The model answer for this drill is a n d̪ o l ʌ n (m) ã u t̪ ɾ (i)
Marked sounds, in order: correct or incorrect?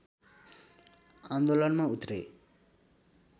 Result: correct, incorrect: e

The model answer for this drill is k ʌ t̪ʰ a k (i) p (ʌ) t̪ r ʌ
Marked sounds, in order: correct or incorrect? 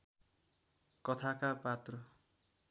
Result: incorrect: a, incorrect: a

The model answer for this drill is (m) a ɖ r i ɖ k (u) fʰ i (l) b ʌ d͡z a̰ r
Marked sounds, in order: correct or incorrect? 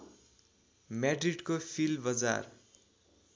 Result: correct, incorrect: o, correct

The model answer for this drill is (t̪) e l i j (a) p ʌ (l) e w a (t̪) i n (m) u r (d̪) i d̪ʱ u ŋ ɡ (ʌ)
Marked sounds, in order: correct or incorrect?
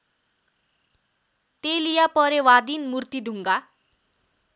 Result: correct, correct, incorrect: ɾ, incorrect: d̪, correct, incorrect: t̪, incorrect: a

